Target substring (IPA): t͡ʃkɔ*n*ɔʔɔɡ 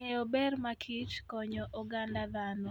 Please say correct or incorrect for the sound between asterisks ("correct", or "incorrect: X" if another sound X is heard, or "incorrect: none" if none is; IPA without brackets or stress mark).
incorrect: ɲ